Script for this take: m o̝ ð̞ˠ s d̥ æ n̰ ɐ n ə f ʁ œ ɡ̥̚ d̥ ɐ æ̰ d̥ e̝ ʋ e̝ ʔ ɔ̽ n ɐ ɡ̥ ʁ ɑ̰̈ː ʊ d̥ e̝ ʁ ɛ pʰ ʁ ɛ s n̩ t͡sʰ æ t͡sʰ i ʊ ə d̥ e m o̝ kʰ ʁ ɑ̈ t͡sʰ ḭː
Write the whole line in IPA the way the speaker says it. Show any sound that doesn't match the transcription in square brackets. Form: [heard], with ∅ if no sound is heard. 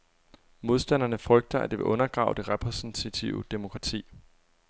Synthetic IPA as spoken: m o̝ ð̞ˠ s d̥ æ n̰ ɐ n ə f ʁ œ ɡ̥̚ d̥ ɐ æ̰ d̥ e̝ ʋ e̝ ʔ ɔ̽ n ɐ ɡ̥ ʁ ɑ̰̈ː ʊ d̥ e̝ ʁ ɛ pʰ ʁ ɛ s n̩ t͡sʰ æ t͡sʰ i ʊ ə d̥ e m o̝ kʰ ʁ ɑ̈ t͡sʰ ḭː